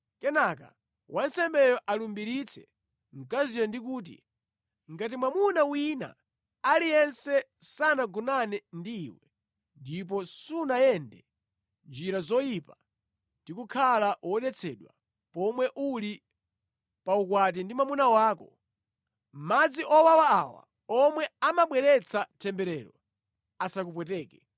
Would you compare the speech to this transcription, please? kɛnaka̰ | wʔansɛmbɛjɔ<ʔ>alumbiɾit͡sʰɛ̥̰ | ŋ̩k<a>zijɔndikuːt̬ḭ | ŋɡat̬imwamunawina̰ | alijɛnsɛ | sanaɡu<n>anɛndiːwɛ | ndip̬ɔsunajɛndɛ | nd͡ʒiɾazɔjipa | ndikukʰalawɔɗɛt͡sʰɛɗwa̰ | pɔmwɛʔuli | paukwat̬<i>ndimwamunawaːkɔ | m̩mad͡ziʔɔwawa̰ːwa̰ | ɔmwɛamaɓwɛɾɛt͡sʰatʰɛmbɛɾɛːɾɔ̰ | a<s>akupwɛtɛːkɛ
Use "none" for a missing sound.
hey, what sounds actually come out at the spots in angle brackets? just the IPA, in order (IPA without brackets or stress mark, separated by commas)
ʔ, a, n, i, s